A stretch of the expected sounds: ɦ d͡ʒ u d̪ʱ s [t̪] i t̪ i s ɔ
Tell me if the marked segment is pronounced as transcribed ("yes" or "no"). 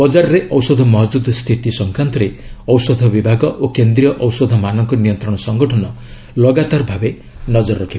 no